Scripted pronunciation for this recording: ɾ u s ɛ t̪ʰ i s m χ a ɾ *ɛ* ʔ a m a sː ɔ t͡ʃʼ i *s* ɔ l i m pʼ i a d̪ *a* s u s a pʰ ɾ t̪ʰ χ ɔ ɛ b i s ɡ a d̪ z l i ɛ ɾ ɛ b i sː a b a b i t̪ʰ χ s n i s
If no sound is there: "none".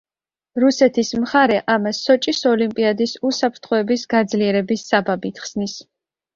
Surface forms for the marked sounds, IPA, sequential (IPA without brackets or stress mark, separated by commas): ɛ, s, i